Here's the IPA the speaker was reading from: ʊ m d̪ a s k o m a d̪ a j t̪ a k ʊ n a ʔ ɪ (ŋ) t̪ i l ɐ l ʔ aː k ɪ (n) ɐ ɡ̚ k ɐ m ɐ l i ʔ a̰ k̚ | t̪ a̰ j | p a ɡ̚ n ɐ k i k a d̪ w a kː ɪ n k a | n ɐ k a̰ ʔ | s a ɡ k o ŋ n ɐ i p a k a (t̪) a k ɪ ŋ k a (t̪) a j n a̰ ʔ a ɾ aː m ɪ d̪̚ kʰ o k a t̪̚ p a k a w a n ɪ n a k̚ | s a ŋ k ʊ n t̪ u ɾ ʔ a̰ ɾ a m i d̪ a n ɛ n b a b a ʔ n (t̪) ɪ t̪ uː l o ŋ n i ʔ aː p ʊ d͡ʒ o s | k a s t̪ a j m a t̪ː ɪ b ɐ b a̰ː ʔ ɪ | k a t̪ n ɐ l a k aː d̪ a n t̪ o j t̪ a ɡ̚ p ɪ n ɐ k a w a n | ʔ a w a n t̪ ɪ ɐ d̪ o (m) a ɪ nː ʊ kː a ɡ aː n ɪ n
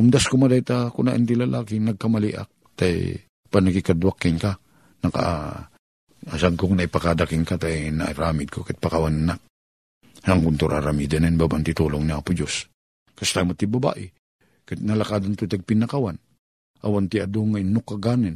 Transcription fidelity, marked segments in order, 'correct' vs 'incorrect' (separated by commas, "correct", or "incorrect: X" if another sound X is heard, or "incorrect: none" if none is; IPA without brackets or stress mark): incorrect: n, correct, incorrect: d̪, correct, correct, incorrect: ŋ